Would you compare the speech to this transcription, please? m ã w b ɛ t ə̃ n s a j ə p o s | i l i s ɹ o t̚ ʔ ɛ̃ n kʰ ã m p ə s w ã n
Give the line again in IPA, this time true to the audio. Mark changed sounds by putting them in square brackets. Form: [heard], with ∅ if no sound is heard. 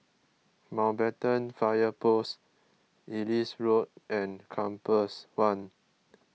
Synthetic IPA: m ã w b ɛ t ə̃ n [f] a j ə p o s | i l i s ɹ o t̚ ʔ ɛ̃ n kʰ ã m p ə s w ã n

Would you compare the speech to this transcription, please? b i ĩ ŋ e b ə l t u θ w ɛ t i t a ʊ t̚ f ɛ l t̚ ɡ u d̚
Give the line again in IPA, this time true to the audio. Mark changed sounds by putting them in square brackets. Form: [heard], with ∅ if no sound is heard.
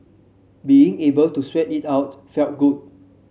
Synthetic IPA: b i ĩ ŋ e b ə l t u [s] w ɛ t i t a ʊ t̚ f ɛ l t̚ ɡ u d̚

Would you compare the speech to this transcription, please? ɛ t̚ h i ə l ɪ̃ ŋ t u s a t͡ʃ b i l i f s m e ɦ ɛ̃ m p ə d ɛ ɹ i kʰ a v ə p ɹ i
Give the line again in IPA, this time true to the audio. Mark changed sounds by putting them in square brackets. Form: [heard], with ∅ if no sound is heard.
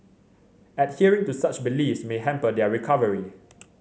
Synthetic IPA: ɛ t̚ h i ə [ɹ] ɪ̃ ŋ t u s a t͡ʃ b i l i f s m e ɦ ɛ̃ m p ə d ɛ ɹ i kʰ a v ə [∅] ɹ i

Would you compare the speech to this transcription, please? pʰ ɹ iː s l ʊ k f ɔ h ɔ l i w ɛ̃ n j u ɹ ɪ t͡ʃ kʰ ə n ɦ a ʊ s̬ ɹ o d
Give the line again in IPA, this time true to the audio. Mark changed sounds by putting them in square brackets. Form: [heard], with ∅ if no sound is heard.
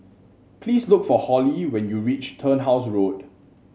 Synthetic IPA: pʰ [l] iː s l ʊ k f ɔ h ɔ l i w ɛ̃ n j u ɹ [i] t͡ʃ [tʰ] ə n ɦ a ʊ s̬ ɹ o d

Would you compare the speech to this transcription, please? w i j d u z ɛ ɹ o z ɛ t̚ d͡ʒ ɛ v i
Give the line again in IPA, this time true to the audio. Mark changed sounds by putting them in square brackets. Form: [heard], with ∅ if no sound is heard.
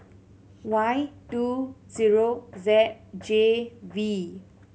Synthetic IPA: w [a] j [t] u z [i] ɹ o z ɛ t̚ d͡ʒ [e] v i

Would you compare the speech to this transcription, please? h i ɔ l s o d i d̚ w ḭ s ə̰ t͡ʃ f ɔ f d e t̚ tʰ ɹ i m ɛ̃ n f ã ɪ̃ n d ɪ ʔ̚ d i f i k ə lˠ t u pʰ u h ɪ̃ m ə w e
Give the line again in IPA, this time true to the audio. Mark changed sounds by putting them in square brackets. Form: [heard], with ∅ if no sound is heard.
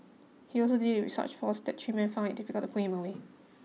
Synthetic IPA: h i ɔ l s o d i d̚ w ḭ s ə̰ t͡ʃ f ɔ [s] d [ɛ] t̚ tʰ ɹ i m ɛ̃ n f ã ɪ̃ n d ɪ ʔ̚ d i f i k ə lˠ t u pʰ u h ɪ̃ m ə w e

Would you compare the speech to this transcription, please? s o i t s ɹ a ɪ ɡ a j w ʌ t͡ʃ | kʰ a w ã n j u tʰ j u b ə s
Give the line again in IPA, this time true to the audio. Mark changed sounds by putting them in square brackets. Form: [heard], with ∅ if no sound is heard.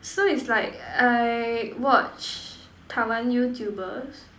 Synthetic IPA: s o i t s [l] a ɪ [k] a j w [ɔ] t͡ʃ | [tʰ] a w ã n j u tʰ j u b ə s

